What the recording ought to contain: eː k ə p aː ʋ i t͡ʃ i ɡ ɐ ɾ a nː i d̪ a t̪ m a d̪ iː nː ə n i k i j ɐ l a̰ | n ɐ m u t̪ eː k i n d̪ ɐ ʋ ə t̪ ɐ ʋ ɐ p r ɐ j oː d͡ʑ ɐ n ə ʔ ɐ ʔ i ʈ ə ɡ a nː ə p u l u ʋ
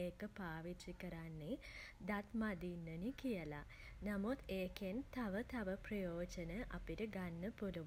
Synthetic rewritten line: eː k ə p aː ʋ i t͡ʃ i k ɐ ɾ a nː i d̪ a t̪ m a d̪ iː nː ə n i k i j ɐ l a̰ | n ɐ m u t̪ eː k e n t̪ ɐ ʋ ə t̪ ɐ ʋ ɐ p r ɐ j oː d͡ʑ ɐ n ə ʔ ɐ p i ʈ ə ɡ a nː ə p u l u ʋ